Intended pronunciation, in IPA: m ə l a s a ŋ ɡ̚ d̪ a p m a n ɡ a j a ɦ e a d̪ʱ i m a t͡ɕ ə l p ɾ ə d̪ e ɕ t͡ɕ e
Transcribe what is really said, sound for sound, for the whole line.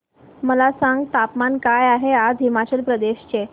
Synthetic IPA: m ə l a s a ŋ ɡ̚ t̪ a p m a n k a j a ɦ e a d̪ʱ i m a t͡ɕ ə l p ɾ ə d̪ e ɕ t͡ɕ e